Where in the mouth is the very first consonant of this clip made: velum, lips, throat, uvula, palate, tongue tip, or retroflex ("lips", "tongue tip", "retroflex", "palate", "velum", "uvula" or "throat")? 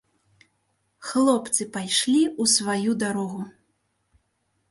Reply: velum